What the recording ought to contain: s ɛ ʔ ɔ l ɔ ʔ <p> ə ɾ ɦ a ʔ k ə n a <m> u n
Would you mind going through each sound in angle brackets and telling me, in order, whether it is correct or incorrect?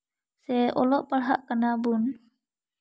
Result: correct, incorrect: b

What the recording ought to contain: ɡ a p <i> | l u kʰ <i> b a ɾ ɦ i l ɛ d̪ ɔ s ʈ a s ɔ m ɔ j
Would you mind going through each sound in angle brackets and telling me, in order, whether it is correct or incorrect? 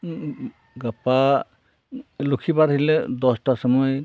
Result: incorrect: a, correct

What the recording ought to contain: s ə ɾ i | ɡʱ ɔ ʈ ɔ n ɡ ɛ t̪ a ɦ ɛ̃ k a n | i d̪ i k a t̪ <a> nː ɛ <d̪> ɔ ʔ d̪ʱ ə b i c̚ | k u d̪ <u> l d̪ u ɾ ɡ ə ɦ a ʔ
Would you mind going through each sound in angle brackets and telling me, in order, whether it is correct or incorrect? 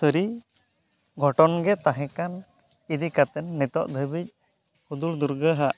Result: incorrect: ɛ, incorrect: t̪, correct

